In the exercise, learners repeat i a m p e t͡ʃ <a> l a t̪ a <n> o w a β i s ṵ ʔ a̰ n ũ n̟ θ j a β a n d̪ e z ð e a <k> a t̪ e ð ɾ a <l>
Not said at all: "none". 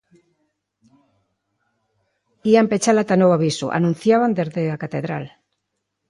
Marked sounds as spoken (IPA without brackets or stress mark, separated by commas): a, n, k, l